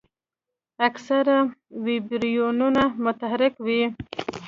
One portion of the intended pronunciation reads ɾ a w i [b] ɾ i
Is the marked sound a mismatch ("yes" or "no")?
no